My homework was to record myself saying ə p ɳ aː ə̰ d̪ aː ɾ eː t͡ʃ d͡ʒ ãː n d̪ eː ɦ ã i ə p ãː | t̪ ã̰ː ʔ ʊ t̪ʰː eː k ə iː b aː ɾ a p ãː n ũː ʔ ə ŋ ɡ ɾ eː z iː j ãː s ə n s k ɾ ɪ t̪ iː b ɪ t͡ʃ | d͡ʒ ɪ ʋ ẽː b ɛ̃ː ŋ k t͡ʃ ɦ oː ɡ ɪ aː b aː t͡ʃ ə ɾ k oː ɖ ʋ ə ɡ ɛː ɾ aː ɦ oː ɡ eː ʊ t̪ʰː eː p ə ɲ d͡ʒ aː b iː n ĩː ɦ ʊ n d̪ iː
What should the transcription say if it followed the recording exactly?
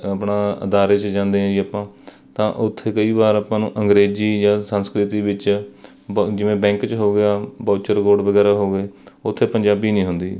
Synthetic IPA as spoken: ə p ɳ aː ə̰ d̪ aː ɾ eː t͡ʃ d͡ʒ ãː n d̪ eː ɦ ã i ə p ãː | t̪ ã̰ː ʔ ʊ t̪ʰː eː k ə iː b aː ɾ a p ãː n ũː ʔ ə ŋ ɡ ɾ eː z iː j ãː s ə n s k ɾ ɪ t̪ iː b ɪ t͡ʃ | d͡ʒ ɪ ʋ ẽː b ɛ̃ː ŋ k t͡ʃ ɦ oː ɡ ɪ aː b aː t͡ʃ ə ɾ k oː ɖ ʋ ə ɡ ɛː ɾ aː ɦ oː ɡ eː ʊ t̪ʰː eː p ə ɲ d͡ʒ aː b iː n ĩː ɦ ʊ n d̪ iː